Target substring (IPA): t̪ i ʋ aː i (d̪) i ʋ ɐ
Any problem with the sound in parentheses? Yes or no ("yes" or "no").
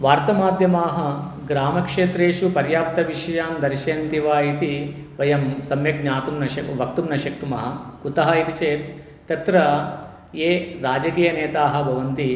yes